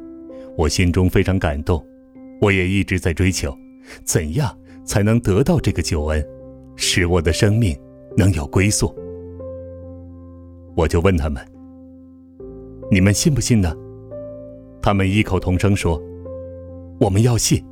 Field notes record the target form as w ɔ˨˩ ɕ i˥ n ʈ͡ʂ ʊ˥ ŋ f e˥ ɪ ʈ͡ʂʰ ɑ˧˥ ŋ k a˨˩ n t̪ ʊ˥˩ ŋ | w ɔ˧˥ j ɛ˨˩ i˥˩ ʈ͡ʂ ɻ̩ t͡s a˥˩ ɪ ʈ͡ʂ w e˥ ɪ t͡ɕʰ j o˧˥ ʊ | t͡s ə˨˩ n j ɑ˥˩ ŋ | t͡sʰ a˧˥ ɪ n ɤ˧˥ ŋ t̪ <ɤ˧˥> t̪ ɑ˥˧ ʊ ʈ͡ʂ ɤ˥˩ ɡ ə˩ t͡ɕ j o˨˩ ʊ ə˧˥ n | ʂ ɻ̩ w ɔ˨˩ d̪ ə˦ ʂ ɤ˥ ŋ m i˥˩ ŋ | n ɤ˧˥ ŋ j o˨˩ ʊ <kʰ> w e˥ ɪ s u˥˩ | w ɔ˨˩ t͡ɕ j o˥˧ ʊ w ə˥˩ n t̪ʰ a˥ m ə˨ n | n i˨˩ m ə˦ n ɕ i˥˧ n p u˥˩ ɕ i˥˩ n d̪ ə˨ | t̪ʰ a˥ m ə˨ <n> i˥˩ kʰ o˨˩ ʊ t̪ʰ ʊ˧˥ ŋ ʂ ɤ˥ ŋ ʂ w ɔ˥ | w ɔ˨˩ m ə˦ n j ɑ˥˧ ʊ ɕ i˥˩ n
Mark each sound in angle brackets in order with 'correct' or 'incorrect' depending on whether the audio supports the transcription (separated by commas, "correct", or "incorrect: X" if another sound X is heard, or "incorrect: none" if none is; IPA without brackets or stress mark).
correct, incorrect: k, correct